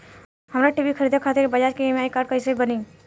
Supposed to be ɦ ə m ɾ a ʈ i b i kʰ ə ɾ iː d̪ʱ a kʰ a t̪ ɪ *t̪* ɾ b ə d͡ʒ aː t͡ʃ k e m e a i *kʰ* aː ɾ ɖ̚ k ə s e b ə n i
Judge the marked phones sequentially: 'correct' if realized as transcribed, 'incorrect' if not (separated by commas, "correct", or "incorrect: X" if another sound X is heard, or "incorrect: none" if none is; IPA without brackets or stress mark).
incorrect: none, incorrect: k